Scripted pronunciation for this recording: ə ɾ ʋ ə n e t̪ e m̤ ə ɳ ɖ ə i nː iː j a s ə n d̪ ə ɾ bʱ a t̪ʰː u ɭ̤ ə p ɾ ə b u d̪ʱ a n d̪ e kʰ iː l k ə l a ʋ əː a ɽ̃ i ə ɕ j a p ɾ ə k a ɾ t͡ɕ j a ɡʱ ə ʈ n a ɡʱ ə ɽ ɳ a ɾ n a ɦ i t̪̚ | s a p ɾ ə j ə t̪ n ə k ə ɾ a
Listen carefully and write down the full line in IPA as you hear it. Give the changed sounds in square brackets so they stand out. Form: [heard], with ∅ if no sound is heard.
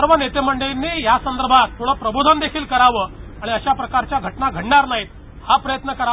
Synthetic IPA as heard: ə ɾ ʋ ə n e t̪ e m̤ ə ɳ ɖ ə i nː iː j a s ə n d̪ ə ɾ bʱ a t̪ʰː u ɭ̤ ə p ɾ ə b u d̪ʱ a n d̪ e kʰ iː l k ə [ɾ] a ʋ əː a ɽ̃ i ə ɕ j a p ɾ ə k a ɾ t͡ɕ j a ɡʱ ə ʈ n a ɡʱ ə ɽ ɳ a ɾ n a ɦ i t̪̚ | [h] a p ɾ ə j ə t̪ n ə k ə ɾ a

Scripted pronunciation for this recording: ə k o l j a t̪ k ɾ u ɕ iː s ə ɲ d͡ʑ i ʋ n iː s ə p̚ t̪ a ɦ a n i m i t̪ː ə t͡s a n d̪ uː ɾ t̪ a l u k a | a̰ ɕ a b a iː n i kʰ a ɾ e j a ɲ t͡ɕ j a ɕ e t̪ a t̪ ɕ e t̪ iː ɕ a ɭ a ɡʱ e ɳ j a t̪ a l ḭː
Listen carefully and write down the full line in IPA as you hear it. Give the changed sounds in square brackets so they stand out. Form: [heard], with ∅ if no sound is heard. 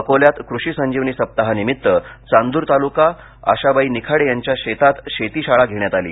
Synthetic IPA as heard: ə k o l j a t̪ k ɾ u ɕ iː s ə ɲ d͡ʑ i ʋ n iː s ə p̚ t̪ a ɦ a n i m i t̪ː ə t͡s a n d̪ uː ɾ t̪ a l u k a | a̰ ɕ a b a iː n i kʰ a [ɽ] e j a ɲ t͡ɕ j a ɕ e t̪ a t̪ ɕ e t̪ iː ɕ a ɭ a ɡʱ e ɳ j a t̪ a l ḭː

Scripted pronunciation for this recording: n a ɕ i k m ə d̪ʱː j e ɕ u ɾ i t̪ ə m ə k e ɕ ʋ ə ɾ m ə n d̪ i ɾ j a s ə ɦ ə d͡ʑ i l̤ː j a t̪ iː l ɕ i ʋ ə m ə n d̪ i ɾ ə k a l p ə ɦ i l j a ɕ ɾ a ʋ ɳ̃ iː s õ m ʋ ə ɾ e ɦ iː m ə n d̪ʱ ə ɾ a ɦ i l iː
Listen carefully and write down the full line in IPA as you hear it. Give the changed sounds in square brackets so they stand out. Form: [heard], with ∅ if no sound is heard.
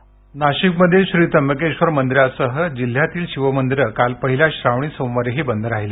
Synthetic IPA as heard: n a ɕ i k m ə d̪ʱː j e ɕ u ɾ i t̪ ə m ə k e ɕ ʋ ə ɾ m ə n d̪ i ɾ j a s ə ɦ ə d͡ʑ i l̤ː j a t̪ iː l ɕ i ʋ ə m ə n d̪ i ɾ ə k a l p ə ɦ i l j a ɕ ɾ a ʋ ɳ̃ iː s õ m ʋ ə ɾ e ɦ iː [b] ə n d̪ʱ ə ɾ a ɦ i l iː

